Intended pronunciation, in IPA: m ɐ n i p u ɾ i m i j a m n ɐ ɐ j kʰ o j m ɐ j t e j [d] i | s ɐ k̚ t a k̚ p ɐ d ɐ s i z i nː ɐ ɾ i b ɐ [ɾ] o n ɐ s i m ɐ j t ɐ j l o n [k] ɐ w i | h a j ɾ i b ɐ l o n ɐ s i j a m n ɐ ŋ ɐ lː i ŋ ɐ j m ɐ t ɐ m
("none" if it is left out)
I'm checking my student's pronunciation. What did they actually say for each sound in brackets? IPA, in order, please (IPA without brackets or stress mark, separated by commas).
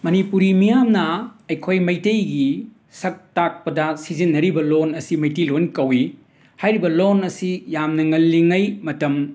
ɡ, l, k